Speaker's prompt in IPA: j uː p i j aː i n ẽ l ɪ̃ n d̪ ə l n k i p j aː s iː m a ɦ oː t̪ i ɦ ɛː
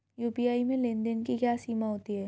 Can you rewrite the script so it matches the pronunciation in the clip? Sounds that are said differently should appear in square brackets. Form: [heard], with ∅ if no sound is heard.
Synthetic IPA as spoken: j uː p i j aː i [m] ẽ l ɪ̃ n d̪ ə [∅] n k i [k] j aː s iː m a ɦ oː t̪ i ɦ ɛː